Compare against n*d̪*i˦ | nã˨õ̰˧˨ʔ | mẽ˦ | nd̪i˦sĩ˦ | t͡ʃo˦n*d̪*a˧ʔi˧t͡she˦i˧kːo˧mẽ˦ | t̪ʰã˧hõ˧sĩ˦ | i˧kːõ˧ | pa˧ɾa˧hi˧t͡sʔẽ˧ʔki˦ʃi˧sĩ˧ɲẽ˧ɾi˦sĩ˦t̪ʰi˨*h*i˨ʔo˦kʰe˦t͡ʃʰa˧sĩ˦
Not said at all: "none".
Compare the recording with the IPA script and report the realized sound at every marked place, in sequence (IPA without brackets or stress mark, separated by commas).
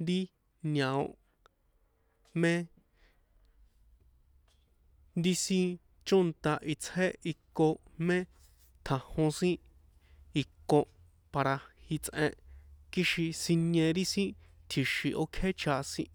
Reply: d̪, t̪, ʃ